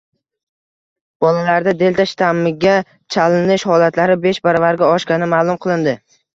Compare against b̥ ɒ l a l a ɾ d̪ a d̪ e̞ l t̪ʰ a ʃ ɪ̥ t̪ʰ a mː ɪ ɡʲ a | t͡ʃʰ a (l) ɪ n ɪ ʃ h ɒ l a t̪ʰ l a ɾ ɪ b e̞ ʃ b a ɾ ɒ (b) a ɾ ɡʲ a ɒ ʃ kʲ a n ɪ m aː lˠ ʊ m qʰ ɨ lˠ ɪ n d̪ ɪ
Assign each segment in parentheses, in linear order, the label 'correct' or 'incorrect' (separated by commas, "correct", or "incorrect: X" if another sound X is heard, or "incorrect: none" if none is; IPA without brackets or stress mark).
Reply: correct, incorrect: v